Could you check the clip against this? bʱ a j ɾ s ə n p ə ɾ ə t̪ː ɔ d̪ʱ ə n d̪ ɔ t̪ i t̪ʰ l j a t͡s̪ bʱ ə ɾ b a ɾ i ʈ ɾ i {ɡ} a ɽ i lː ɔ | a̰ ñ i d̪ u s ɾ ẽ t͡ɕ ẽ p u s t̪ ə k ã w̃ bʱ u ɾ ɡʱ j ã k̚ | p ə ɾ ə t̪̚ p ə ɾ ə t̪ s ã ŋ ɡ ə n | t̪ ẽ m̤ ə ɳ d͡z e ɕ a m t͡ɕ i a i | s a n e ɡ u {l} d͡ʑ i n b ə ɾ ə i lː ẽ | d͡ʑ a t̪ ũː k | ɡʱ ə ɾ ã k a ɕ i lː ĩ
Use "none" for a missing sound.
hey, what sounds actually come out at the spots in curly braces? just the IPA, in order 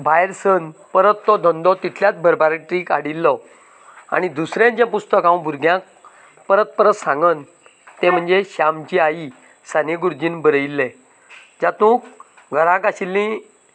k, ɾ

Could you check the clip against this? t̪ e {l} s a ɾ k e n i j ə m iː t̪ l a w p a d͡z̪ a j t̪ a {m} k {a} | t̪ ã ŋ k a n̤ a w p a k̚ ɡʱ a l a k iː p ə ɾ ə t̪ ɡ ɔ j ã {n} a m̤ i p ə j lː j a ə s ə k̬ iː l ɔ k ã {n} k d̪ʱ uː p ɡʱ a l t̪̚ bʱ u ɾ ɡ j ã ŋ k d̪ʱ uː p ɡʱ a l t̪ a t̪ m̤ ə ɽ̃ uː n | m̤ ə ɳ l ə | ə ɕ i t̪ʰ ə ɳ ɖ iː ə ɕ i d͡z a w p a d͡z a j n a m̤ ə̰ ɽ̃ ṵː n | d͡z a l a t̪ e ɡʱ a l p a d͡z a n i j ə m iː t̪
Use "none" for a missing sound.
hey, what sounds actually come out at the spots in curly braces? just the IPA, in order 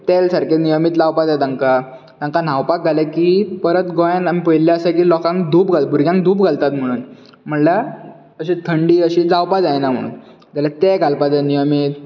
l, ŋ, a, n, ŋ

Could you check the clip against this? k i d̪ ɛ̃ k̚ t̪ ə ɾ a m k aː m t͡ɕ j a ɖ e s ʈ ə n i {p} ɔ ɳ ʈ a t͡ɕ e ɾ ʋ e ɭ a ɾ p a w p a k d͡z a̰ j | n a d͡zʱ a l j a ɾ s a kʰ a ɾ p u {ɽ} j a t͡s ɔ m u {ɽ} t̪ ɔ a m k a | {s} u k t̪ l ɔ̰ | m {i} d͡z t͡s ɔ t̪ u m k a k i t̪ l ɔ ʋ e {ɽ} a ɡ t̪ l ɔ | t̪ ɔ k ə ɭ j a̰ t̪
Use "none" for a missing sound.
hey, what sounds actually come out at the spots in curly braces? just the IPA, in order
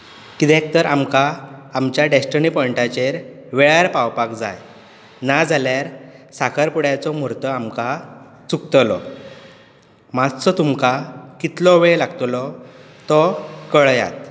p, ɽ, ɾ, t͡s, a, l

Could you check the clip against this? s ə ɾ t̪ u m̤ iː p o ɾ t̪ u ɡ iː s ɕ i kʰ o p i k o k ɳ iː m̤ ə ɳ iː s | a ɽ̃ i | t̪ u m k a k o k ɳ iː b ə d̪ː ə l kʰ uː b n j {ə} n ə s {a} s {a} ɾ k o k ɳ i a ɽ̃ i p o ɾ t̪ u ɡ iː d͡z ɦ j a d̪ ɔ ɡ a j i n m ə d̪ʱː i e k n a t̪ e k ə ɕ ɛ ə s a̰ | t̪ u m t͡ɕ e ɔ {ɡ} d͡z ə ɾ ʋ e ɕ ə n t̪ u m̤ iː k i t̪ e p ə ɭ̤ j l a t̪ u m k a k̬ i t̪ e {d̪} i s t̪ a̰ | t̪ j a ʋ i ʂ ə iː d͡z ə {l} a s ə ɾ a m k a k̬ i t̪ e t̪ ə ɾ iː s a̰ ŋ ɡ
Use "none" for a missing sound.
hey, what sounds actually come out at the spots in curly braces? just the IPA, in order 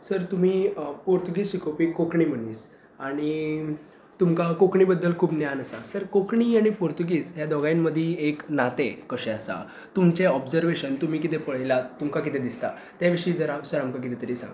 a, a, ə, b, d̪, ɾ

